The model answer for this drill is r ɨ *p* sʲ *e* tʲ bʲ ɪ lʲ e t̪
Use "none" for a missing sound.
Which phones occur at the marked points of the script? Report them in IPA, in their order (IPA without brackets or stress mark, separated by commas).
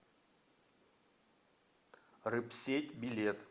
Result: p, e